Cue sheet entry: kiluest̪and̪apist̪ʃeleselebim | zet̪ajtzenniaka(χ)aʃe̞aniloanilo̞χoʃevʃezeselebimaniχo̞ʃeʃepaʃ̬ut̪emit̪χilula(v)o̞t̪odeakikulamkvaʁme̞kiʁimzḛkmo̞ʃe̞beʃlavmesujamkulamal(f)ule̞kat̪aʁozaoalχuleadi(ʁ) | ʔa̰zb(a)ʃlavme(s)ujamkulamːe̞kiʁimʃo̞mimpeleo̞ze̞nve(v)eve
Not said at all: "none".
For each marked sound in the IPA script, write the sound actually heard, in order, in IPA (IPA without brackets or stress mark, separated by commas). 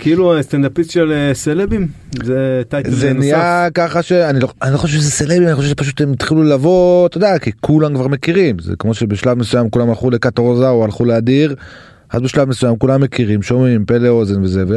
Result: χ, v, χ, ʁ, e, s, z